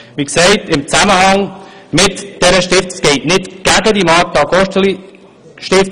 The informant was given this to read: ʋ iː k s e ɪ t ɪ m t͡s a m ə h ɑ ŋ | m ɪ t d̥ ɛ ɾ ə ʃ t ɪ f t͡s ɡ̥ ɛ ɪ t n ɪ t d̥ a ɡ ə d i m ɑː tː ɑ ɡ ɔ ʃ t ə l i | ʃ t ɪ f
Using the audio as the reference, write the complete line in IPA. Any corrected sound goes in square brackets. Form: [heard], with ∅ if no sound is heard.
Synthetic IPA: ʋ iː k s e ɪ t ɪ m t͡s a m ə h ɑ ŋ | m ɪ t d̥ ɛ ɾ ə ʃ t ɪ f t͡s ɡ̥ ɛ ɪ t n ɪ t [ɡ̥] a ɡ ə d i m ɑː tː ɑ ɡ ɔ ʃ t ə l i | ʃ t ɪ f